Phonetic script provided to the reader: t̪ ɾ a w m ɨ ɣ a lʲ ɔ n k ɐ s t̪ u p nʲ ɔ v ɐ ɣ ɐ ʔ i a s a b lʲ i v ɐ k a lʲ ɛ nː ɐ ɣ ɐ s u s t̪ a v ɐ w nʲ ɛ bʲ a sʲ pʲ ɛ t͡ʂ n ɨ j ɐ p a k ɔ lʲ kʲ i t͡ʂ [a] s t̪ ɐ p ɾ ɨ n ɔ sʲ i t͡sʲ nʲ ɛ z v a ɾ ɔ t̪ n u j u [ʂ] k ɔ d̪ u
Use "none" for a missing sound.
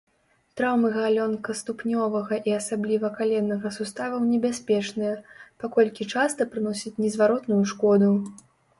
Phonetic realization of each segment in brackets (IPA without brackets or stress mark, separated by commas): a, ʂ